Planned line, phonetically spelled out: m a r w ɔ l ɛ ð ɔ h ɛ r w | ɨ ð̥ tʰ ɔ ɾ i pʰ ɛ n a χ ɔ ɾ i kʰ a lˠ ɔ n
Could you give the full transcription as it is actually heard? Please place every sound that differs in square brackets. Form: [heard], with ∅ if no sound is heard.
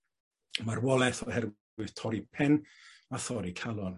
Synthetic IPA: m a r w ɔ l ɛ [θ] ɔ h ɛ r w | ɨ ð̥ tʰ ɔ ɾ i pʰ ɛ n a [θ] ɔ ɾ i kʰ a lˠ ɔ n